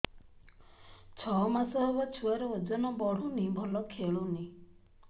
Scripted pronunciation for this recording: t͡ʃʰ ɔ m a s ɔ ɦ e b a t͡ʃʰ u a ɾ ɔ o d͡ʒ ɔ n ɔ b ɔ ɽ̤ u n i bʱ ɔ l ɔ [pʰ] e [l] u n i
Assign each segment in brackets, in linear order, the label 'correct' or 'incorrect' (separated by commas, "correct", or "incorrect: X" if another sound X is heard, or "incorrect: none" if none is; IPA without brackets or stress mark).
incorrect: kʰ, incorrect: ɭ